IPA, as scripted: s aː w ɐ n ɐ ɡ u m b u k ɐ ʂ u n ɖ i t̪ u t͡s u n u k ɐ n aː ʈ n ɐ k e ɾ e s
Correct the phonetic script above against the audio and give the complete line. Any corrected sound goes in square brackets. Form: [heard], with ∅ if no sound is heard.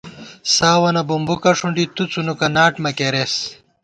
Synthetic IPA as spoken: s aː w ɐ n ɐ [b] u m b u k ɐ ʂ u [ɳ] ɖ i t̪ u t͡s u n u k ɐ n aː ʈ [m] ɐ k e ɾ e s